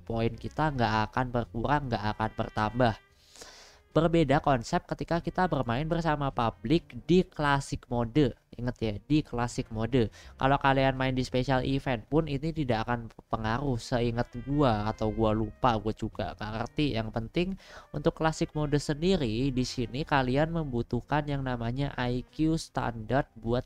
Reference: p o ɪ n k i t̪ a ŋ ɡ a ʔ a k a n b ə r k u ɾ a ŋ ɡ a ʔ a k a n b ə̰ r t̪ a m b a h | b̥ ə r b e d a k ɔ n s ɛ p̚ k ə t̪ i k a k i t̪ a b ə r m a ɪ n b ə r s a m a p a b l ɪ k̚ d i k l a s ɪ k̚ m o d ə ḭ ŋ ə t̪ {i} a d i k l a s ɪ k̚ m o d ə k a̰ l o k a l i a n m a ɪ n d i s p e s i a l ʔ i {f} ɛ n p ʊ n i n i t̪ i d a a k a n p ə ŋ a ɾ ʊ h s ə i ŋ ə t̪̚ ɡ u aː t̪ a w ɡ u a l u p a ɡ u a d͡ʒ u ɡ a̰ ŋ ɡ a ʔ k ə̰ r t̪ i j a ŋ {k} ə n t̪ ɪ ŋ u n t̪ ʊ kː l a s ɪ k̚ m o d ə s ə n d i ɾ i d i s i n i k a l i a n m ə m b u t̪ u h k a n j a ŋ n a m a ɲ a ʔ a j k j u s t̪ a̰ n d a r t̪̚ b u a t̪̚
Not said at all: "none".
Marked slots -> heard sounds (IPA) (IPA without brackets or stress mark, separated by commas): j, f, p